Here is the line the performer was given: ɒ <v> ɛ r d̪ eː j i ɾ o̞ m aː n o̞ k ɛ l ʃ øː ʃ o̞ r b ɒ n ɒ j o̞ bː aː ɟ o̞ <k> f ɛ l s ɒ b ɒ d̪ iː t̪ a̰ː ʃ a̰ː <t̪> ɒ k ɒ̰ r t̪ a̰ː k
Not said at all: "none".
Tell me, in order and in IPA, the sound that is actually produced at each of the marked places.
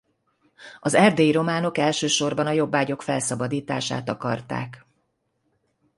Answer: z, k, t̪

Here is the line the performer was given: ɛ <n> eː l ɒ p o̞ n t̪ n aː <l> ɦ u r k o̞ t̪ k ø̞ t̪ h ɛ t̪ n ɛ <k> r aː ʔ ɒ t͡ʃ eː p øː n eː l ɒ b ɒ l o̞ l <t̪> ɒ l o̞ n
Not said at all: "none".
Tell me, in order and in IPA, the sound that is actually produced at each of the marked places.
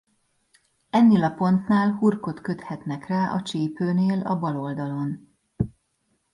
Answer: nː, l, k, d̪

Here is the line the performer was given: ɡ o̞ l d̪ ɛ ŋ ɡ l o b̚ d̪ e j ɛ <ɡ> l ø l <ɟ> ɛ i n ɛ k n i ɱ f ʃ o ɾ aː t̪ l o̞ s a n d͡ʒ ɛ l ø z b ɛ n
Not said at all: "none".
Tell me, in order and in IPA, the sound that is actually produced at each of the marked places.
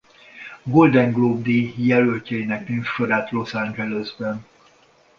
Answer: none, c

